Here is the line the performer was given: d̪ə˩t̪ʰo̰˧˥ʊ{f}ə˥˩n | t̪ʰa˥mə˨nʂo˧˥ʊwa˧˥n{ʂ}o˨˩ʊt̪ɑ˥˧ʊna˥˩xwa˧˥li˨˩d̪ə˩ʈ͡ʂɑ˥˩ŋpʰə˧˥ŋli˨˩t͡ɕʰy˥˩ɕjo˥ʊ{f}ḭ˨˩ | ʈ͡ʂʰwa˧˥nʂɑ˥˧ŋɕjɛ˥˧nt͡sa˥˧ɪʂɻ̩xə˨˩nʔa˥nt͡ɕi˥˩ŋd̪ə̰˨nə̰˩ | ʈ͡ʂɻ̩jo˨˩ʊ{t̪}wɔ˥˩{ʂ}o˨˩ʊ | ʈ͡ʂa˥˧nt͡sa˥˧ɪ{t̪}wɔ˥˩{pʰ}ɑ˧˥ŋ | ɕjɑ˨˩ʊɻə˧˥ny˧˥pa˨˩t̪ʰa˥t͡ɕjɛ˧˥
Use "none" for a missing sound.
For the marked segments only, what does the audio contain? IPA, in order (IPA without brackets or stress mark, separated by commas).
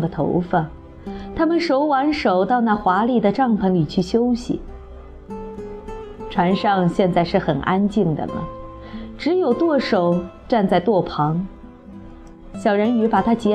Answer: f, ʂ, ɕ, t̪, ʂ, t̪, pʰ